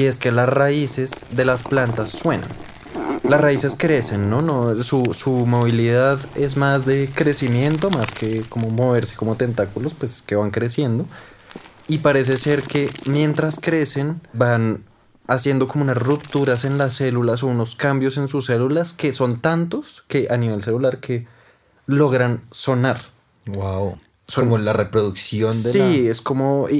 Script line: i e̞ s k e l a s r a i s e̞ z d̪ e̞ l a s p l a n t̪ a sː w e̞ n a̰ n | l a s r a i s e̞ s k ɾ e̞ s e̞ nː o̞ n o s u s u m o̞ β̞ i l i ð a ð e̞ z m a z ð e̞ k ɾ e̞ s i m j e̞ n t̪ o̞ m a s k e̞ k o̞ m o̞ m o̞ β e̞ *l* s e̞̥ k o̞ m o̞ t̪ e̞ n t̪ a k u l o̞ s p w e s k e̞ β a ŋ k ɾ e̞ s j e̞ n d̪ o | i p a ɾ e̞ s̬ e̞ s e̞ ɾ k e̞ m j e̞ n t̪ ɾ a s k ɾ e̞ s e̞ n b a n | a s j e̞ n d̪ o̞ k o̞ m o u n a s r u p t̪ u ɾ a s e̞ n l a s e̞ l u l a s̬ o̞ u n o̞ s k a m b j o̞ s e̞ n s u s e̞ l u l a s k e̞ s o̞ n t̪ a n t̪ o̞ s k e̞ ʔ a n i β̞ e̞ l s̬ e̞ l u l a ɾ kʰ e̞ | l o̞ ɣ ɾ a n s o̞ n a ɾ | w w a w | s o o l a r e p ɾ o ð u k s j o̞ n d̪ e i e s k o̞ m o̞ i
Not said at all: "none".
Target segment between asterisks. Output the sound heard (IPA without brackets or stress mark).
ɾ